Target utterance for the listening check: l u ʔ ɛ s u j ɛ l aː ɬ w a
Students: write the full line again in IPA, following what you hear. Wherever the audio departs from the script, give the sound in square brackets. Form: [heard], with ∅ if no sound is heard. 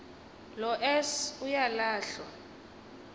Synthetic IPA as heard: l [ɔ] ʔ ɛ s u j [a] l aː ɬ w a